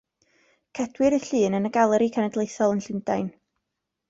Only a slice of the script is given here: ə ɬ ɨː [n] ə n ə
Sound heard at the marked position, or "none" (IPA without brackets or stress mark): n